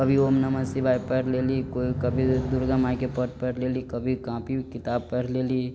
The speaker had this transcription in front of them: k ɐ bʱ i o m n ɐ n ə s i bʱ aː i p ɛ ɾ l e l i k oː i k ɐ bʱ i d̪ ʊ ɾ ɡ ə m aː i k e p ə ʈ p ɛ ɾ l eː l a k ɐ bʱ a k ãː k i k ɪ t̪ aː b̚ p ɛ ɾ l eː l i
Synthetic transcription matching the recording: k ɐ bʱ i o m n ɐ m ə s i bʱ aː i p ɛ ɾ l e l i k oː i k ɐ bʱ i d̪ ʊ ɾ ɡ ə m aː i k e p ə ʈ p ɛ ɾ l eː l i k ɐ bʱ i k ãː p i k ɪ t̪ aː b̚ p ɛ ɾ l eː l i